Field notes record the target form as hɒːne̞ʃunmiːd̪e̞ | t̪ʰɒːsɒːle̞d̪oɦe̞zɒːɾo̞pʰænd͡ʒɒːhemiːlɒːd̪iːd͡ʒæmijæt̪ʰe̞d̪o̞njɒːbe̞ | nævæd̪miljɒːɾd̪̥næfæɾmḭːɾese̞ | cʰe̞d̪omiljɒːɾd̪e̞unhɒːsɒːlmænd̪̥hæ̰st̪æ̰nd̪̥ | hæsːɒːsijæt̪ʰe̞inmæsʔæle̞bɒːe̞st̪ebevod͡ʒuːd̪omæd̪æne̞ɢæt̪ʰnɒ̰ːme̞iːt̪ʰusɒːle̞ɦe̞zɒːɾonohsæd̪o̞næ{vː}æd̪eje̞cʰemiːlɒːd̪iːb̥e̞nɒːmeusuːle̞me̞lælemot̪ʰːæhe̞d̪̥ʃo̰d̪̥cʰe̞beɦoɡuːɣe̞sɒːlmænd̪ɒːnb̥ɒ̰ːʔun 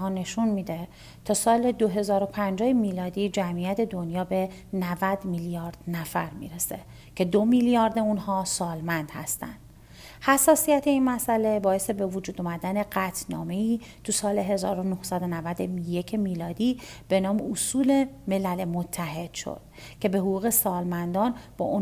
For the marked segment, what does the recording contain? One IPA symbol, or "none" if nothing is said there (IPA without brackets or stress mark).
v